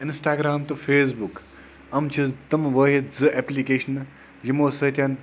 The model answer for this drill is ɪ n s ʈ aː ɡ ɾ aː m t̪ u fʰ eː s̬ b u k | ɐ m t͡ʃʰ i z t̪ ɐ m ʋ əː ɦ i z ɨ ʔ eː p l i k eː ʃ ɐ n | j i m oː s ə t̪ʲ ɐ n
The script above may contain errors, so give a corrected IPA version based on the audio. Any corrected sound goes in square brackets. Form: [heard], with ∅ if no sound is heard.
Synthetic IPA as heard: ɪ n s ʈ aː ɡ ɾ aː m t̪ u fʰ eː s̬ b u k | ɐ m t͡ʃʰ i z t̪ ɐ m ʋ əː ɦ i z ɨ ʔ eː p l i k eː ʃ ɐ n | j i m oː s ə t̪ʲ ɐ n